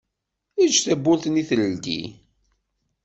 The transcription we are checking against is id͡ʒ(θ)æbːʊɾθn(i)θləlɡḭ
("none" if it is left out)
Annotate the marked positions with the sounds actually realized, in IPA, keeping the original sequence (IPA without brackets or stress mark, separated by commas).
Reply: θ, i